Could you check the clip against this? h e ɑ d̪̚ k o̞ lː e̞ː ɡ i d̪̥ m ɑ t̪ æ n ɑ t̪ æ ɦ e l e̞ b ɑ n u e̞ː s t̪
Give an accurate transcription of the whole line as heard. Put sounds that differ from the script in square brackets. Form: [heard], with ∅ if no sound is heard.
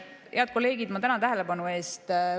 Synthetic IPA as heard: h e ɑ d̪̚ k o̞ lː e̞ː ɡ i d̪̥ m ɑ t̪ æ n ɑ t̪ æ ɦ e l e̞ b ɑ n u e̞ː s t̪